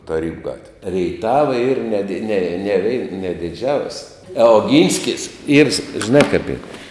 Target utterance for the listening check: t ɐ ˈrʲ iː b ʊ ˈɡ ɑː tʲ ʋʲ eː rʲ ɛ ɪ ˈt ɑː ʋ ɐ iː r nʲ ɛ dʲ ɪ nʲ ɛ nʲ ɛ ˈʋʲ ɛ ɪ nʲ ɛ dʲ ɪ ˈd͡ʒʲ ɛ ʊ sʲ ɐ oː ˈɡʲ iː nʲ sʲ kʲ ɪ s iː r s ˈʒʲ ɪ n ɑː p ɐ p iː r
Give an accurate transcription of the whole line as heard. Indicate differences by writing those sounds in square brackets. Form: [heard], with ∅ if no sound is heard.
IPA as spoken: t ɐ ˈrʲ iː b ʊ ˈɡ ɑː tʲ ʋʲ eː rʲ ɛ ɪ ˈt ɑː ʋ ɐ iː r nʲ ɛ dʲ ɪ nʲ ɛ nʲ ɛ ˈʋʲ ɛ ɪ nʲ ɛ dʲ ɪ ˈd͡ʒʲ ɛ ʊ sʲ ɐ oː ˈɡʲ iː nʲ sʲ kʲ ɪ s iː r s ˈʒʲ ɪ n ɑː [k] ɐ p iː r